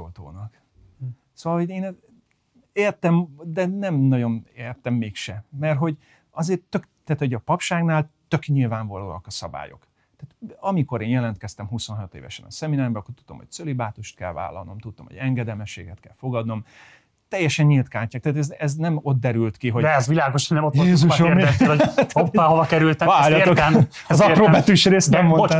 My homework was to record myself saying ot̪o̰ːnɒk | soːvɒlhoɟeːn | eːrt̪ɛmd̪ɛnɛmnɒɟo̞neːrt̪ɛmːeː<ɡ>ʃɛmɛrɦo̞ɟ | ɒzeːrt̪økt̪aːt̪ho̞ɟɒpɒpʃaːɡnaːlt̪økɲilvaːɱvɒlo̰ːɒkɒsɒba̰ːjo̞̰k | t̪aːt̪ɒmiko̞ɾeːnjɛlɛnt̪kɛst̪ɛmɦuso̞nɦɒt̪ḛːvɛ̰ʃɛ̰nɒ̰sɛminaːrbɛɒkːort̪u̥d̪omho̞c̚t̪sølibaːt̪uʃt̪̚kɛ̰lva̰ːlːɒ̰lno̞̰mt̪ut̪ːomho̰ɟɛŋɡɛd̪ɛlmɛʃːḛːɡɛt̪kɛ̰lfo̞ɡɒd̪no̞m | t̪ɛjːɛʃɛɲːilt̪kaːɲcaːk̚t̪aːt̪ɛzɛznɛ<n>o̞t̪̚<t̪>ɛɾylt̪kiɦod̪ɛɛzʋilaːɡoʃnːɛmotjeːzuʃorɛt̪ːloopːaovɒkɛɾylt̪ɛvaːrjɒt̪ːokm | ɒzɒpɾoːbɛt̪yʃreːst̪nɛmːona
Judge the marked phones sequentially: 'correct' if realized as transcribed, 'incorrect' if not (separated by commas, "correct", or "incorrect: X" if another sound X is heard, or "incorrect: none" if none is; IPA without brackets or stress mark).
incorrect: k, incorrect: m, incorrect: d̪